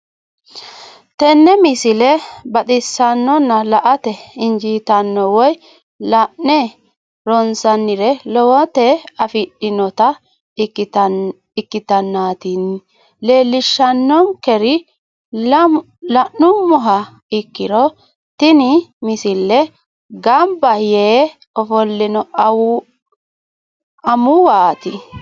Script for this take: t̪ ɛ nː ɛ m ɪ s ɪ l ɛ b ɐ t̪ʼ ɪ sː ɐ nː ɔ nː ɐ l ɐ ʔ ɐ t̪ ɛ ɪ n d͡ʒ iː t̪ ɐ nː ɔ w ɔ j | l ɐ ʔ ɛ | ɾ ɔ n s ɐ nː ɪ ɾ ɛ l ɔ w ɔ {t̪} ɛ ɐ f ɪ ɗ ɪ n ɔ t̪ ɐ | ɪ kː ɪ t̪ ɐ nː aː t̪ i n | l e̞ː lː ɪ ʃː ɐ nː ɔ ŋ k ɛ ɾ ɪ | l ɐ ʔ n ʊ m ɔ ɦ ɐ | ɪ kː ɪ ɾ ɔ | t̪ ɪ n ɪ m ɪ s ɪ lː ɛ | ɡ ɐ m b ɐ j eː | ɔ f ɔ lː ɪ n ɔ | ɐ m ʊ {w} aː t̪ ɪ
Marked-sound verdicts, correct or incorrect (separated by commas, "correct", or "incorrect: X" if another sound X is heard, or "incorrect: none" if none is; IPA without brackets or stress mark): correct, correct